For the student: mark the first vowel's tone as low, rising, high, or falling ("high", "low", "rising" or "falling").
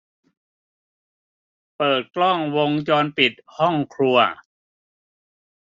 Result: low